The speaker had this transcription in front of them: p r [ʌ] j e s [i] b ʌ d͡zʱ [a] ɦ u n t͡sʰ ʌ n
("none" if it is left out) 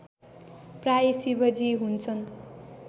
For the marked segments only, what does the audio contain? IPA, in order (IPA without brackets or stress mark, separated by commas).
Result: a, i, i